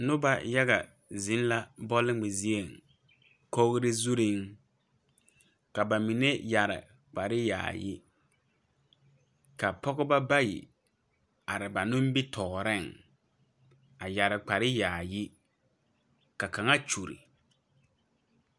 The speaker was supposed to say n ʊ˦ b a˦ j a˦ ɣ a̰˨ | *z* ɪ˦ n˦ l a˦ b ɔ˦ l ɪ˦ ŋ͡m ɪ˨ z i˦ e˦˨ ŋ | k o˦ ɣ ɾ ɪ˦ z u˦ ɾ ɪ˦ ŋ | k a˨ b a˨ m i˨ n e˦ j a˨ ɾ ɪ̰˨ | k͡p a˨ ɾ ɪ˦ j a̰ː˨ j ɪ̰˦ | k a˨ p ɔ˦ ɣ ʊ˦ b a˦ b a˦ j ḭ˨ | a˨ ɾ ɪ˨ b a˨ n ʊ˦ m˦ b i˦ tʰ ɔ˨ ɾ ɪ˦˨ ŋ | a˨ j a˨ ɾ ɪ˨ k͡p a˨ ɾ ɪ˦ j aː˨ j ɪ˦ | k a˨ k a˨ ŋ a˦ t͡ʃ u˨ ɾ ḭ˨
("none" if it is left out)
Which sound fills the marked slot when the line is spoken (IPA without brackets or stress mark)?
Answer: z